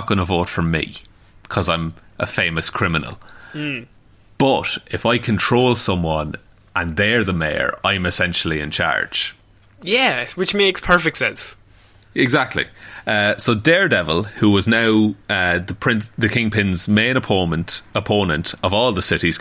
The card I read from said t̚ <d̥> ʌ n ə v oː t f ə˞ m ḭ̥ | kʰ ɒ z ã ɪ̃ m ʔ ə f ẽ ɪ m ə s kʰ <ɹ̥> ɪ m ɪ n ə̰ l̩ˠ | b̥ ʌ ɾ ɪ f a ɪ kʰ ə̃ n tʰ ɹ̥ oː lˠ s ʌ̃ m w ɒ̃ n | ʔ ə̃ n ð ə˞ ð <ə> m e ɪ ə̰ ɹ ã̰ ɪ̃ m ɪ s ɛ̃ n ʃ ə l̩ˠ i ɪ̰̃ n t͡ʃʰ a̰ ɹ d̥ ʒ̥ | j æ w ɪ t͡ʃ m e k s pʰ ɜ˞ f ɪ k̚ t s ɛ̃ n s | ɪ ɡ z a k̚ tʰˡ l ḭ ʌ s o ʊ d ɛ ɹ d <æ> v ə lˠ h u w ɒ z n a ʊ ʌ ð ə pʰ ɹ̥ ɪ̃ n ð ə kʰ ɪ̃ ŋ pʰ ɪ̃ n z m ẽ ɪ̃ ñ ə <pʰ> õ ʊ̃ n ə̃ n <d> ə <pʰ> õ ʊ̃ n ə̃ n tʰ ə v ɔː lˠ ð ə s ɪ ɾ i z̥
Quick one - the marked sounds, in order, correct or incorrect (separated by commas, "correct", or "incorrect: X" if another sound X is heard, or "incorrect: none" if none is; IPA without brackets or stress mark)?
incorrect: ɡ̥, correct, correct, incorrect: ɛ, correct, incorrect: t, correct